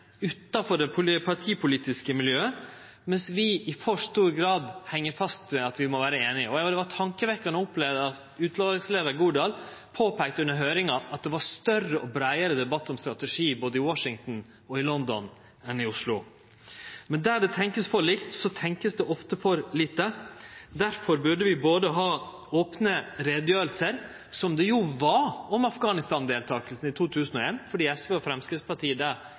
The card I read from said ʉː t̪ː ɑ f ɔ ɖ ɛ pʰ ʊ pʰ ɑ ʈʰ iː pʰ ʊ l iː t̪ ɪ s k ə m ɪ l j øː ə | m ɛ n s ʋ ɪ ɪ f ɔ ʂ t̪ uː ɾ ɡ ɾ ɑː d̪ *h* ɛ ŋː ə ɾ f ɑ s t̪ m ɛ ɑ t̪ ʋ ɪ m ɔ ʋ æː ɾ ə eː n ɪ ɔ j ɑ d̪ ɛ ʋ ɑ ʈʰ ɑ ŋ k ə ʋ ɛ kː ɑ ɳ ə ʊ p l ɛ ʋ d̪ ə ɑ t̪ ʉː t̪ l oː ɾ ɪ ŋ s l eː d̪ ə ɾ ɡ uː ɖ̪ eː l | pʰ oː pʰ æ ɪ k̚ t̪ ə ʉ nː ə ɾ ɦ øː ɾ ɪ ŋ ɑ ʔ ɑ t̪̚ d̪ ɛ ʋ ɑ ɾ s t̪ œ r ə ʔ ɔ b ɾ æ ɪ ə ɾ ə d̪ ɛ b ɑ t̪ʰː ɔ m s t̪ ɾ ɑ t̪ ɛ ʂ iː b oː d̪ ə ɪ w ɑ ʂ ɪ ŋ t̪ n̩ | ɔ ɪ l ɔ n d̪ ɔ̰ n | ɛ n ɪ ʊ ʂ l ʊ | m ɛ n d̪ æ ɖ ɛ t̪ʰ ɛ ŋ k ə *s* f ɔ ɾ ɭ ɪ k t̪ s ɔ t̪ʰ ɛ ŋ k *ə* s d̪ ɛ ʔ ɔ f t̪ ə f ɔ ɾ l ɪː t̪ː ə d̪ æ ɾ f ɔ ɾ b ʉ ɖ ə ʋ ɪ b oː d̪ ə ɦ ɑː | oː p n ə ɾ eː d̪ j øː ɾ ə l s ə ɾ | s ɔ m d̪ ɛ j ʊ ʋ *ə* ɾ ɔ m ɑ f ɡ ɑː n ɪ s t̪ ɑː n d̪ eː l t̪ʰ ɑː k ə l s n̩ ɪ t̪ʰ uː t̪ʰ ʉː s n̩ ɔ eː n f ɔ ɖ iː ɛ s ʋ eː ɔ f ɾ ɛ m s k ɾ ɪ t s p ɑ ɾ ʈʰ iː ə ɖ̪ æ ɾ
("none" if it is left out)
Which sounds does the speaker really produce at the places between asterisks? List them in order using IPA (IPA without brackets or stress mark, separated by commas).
h, s, ə, ɑ